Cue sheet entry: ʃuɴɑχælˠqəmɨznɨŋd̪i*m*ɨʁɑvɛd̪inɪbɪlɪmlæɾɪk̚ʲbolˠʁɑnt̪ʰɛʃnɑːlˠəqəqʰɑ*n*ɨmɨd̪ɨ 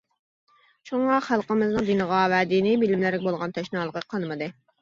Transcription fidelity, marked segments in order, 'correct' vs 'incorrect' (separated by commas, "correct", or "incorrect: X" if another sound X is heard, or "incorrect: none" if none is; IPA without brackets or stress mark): incorrect: n, correct